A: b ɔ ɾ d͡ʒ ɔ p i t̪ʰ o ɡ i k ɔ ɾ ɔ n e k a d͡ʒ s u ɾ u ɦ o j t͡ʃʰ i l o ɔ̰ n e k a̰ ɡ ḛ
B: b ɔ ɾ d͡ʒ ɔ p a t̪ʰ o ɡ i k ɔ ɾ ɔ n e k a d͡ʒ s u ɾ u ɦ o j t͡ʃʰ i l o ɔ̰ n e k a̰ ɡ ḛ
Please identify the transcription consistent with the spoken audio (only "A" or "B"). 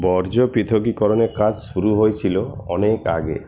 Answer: A